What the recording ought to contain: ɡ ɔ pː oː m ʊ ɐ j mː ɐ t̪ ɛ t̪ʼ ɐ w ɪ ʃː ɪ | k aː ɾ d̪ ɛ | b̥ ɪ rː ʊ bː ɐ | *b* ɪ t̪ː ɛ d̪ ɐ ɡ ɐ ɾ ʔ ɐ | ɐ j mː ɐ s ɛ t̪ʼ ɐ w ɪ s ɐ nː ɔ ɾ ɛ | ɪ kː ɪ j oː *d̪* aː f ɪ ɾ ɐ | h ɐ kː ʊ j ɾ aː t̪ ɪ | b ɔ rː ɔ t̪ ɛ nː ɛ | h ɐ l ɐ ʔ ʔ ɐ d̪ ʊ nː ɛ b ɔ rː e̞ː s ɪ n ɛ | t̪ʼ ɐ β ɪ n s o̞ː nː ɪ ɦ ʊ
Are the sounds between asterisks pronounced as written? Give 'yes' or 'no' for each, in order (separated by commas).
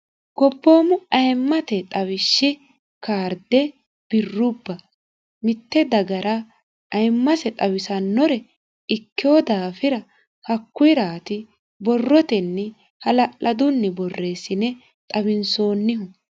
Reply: no, yes